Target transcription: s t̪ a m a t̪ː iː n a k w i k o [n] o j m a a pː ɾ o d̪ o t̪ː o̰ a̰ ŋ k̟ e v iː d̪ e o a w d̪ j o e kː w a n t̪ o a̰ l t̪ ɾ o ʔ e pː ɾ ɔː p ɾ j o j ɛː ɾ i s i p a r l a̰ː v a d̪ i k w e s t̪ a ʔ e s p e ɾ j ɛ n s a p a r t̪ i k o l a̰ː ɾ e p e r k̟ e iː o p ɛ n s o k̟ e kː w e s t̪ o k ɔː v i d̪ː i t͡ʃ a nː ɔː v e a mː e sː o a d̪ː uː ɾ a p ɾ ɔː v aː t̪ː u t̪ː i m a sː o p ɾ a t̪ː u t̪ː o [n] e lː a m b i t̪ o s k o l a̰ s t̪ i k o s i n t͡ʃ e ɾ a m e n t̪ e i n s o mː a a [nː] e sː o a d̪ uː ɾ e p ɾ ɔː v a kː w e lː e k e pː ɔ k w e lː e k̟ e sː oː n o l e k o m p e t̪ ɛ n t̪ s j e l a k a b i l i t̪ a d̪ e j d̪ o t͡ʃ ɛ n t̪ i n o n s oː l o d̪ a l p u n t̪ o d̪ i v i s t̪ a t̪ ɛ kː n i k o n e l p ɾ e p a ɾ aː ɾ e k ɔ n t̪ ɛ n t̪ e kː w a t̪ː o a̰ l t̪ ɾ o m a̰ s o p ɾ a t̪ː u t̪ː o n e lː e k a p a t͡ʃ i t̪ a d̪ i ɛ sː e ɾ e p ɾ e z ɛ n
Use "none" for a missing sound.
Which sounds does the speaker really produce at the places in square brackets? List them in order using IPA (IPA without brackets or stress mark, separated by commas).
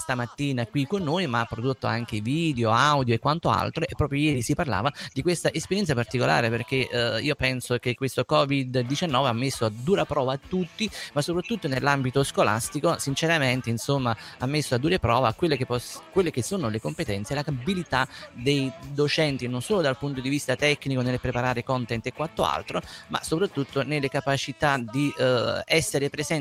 nː, n, mː